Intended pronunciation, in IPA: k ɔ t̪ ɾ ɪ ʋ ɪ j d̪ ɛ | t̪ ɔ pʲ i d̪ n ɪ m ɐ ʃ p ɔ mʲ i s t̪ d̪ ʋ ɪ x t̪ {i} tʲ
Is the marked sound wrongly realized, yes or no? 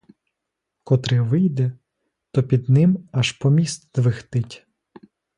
yes